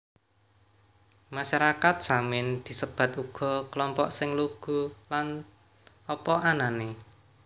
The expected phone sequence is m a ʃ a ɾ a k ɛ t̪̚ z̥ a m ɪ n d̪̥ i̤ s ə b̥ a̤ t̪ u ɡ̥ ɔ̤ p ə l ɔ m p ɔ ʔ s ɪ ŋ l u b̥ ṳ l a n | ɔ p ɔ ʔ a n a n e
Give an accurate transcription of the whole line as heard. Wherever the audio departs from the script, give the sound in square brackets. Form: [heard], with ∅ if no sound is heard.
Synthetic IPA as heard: m a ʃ a ɾ a k [a] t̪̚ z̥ a m ɪ n d̪̥ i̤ s ə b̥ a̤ t̪ u ɡ̥ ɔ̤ [k] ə l ɔ m p ɔ ʔ s ɪ ŋ l u [ɡ̥] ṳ l a n | ɔ p ɔ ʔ a n a n e

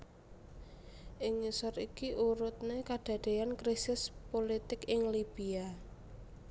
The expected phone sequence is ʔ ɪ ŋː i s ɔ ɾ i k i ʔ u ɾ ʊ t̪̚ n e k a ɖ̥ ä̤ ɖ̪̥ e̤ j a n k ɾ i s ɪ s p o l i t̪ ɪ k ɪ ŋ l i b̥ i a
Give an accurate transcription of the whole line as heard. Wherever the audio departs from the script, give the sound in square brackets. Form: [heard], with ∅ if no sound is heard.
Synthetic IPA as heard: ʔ ɪ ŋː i s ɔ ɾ i k i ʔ u ɾ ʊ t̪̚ n e k a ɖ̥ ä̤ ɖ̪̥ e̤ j a n k ɾ i s ɪ s p o l i t̪ ɪ k ɪ ŋ l i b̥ i a

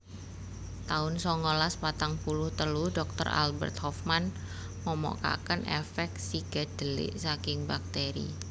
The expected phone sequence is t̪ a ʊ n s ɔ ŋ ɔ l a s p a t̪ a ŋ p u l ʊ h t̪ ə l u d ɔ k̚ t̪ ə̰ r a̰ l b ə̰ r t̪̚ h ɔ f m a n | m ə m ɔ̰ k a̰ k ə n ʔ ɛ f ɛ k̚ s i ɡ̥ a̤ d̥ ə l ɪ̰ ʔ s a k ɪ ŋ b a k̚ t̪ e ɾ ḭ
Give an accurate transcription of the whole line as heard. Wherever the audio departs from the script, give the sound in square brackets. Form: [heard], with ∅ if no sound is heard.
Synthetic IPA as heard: t̪ a ʊ n s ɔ ŋ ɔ l a s p a t̪ a ŋ p u l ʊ h t̪ ə l u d ɔ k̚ t̪ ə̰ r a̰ l b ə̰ r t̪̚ h ɔ f m a n | m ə m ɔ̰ k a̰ k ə n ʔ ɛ f ɛ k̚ s i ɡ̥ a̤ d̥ ə l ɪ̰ ʔ s a k ɪ ŋ b a k̚ t̪ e ɾ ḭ

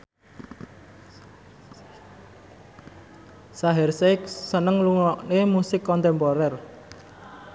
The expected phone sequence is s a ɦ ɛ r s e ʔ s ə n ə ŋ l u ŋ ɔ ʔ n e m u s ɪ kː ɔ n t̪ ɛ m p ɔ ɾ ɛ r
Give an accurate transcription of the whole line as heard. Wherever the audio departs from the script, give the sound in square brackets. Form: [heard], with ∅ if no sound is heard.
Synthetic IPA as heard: s a ɦ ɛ r s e [k] s ə n ə ŋ l u ŋ ɔ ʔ n e m u s ɪ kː ɔ n t̪ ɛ m p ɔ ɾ ɛ r

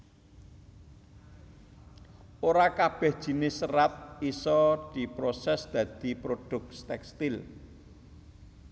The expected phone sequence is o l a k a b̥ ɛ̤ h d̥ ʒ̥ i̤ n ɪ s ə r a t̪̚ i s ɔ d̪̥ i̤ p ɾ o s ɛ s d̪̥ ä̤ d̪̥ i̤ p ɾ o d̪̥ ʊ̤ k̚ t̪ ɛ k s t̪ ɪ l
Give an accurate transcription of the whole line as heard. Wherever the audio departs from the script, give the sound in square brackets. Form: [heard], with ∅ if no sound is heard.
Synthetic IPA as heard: o [ɾ] a k a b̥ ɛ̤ h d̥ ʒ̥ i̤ n ɪ s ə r a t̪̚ i s ɔ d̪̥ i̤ p ɾ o s ɛ s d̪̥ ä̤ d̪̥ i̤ p ɾ o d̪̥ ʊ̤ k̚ t̪ ɛ k s t̪ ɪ l

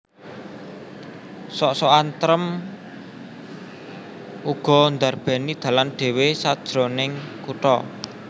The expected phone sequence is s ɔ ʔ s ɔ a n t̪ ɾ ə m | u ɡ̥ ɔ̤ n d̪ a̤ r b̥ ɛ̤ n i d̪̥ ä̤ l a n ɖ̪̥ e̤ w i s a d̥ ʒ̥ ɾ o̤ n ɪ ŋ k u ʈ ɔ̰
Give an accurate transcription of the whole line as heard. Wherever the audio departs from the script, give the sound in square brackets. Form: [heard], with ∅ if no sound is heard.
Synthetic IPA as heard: s ɔ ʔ s ɔ a n t̪ ɾ ə m | u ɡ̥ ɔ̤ n d̪ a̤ r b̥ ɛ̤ n i d̪̥ ä̤ l a n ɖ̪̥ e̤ w [e] s a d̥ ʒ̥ ɾ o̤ n ɪ ŋ k u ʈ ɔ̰

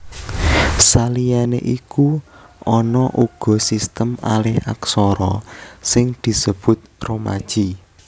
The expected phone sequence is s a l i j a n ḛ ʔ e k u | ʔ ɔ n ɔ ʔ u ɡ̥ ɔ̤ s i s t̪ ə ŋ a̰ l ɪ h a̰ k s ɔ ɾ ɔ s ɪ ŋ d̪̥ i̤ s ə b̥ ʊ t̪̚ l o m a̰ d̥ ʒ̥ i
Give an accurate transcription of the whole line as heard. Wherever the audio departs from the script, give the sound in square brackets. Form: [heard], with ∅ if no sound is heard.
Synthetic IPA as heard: s a l i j a n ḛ ʔ [i] k u | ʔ ɔ n ɔ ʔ u ɡ̥ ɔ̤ s i s t̪ ə [m] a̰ l ɪ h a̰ k s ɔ ɾ ɔ s ɪ ŋ d̪̥ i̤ s ə b̥ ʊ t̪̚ [r] o m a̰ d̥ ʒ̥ i

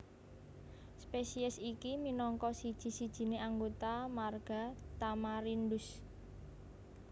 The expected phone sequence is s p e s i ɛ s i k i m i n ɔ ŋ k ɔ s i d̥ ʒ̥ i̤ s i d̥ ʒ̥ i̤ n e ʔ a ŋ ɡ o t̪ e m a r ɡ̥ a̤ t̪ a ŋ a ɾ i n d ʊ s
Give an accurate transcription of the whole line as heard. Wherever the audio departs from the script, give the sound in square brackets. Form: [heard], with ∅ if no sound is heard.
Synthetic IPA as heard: s p e s i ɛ s i k i m i n ɔ ŋ k ɔ s i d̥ ʒ̥ i̤ s i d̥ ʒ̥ i̤ n e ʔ a ŋ ɡ o t̪ [a] m a r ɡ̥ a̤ t̪ a [m] a ɾ i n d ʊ s

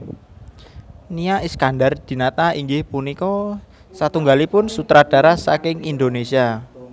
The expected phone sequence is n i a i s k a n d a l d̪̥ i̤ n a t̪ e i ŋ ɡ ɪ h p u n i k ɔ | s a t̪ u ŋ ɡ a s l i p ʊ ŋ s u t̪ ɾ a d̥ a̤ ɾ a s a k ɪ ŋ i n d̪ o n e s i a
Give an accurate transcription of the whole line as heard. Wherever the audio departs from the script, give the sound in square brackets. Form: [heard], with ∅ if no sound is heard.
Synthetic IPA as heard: n i a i s k a n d a [r] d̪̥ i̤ n a t̪ [a] i ŋ ɡ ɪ h p u n i k ɔ | s a t̪ u ŋ ɡ a [∅] l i p ʊ [n] s u t̪ ɾ a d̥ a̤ ɾ a s a k ɪ ŋ i n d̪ o n e s i a

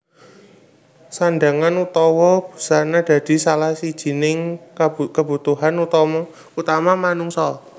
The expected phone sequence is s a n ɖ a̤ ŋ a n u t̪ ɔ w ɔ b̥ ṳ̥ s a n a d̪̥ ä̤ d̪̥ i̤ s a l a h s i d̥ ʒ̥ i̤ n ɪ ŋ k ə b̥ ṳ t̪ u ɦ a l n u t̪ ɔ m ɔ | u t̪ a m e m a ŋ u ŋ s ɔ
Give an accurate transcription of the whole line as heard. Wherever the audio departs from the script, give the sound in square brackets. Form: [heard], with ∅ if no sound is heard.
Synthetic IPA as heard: s a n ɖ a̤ ŋ a n u t̪ ɔ w ɔ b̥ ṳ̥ s a n a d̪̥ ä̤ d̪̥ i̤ s a l a h s i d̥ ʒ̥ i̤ n ɪ ŋ k ə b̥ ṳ t̪ u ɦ a [∅] n u t̪ ɔ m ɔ | u t̪ a m [a] m a [n] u ŋ s ɔ

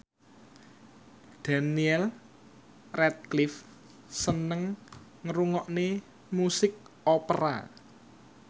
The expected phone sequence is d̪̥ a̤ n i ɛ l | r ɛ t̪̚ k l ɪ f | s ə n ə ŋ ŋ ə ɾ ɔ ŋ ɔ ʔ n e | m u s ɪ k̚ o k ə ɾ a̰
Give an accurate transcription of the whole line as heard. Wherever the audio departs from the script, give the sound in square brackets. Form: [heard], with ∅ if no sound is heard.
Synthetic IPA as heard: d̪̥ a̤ n i ɛ l | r ɛ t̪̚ k l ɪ f | s ə n ə ŋ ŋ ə ɾ [u] ŋ ɔ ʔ n e | m u s ɪ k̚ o [p] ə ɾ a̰

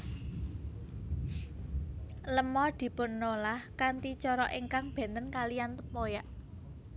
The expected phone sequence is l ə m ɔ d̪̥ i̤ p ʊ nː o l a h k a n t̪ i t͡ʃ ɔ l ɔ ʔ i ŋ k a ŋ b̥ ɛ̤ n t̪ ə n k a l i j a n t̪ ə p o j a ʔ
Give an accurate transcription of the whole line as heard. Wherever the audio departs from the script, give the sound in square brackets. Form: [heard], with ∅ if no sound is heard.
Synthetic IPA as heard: l ə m ɔ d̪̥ i̤ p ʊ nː o l a h k a n t̪ i t͡ʃ ɔ [ɾ] ɔ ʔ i ŋ k a ŋ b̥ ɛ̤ n t̪ ə n k a l i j a n t̪ ə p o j a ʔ

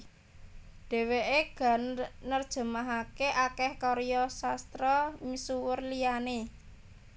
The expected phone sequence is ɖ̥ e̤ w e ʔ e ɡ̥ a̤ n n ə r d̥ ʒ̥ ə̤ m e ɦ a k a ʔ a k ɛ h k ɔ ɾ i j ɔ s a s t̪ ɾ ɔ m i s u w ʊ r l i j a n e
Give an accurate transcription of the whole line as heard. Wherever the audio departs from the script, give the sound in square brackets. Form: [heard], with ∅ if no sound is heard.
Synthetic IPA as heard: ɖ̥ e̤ w e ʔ e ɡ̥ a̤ n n ə r d̥ ʒ̥ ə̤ m [a] ɦ a k [e] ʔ a k ɛ h k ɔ ɾ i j ɔ s a s t̪ ɾ ɔ m i s u w ʊ r l i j a n e

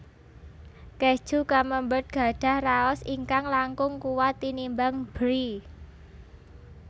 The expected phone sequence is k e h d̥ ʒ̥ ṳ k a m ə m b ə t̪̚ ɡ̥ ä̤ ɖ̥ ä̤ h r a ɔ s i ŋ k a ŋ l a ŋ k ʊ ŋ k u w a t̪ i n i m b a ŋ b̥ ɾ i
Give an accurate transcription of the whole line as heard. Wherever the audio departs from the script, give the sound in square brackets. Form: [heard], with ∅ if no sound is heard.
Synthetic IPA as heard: k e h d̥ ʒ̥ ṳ k a m ə m b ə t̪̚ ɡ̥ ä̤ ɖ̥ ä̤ h r a ɔ s i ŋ k a ŋ l a ŋ k ʊ ŋ k u w a t̪ i n i m b a ŋ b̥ ɾ i

